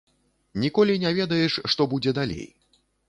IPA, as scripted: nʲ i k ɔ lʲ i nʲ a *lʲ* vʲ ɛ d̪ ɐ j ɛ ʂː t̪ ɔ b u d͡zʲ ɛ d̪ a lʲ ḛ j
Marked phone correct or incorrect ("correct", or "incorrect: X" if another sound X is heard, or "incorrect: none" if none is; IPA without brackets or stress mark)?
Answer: incorrect: none